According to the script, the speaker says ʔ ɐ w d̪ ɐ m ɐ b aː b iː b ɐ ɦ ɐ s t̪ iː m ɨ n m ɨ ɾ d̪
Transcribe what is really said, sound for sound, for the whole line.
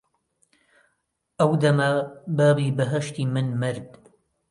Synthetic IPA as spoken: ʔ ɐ w d̪ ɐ m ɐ b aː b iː b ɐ ɦ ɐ ʃ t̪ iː m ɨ n m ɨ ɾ d̪